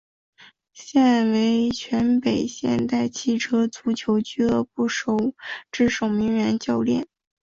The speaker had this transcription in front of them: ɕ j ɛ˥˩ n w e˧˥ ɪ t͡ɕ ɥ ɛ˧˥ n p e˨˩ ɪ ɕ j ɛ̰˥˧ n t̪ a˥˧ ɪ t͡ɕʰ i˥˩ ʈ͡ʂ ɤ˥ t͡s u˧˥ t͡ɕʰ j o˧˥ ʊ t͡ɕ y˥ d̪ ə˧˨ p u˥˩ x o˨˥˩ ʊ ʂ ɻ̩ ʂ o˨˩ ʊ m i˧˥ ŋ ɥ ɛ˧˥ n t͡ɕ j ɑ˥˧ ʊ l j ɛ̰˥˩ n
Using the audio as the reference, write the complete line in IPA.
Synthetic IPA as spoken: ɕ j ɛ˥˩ n w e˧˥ ɪ t͡ɕʰ ɥ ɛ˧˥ n p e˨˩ ɪ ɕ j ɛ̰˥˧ n t̪ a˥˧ ɪ t͡ɕʰ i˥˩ ʈ͡ʂʰ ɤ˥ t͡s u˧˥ t͡ɕʰ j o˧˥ ʊ t͡ɕ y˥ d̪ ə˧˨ p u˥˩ ʂ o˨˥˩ ʊ ʈ͡ʂ ɻ̩ ʂ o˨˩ ʊ m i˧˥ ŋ ɥ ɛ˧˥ n t͡ɕ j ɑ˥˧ ʊ l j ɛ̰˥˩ n